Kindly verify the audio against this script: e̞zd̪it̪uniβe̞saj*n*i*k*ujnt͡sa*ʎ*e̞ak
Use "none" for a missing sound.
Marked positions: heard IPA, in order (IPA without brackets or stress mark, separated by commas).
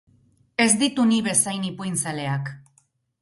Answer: n, p, l